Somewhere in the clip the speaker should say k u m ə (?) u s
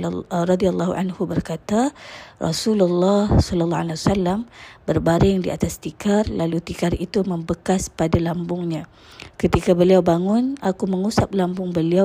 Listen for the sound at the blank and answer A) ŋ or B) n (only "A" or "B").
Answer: A